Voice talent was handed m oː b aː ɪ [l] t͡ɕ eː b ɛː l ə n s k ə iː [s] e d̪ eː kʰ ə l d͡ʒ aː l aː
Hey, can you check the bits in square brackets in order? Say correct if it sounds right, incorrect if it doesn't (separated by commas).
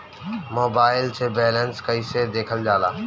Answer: correct, correct